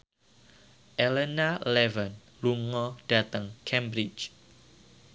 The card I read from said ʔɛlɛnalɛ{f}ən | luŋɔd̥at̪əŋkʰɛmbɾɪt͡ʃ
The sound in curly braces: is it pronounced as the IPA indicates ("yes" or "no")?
no